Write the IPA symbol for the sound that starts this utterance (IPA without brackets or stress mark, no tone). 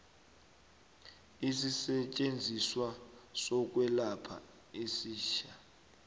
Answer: i